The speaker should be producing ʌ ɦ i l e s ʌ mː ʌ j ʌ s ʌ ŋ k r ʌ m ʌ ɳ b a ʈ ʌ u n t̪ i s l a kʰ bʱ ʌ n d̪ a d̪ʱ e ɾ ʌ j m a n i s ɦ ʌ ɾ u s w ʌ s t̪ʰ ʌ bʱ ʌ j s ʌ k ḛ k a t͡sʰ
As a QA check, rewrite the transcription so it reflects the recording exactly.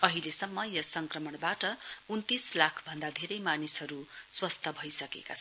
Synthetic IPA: ʌ ɦ i l e s ʌ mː ʌ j ʌ s ʌ ŋ k r ʌ m ʌ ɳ b a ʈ ʌ u n t̪ i s l a kʰ bʱ ʌ n d̪ a d̪ʱ e ɾ ʌ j m a n i s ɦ ʌ ɾ u s w ʌ s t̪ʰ ʌ bʱ ʌ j s ʌ k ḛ k a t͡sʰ